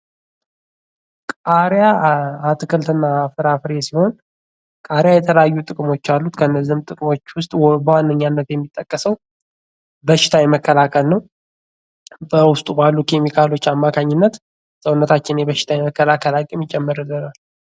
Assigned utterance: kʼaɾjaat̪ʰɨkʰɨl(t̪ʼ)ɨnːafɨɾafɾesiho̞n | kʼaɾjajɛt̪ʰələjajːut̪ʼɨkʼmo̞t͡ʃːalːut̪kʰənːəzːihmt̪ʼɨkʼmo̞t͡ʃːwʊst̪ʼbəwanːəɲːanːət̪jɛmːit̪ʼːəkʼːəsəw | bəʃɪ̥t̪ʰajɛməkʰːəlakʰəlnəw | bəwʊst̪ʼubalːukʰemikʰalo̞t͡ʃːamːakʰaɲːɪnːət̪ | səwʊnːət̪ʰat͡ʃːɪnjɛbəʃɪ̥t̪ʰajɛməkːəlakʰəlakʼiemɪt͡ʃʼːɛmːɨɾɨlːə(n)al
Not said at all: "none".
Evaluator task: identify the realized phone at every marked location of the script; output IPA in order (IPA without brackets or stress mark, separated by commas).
t̪, n